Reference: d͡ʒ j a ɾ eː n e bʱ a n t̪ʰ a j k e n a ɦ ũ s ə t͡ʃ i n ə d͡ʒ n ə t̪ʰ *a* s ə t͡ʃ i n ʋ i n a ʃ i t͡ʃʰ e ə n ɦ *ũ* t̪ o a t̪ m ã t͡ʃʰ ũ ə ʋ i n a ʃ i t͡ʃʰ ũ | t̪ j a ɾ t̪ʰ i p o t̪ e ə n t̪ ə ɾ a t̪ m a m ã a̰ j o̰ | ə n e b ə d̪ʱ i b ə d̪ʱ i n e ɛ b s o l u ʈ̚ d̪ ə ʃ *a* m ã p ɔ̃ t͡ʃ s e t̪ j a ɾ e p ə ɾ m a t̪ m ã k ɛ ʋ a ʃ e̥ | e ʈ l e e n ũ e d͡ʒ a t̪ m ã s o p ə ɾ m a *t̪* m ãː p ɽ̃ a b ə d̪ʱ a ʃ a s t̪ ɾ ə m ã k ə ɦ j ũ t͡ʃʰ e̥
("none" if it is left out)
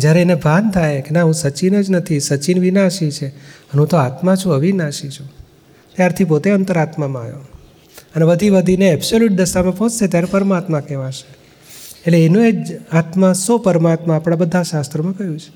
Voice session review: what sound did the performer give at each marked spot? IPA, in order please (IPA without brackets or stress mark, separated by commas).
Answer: i, ũ, a, t̪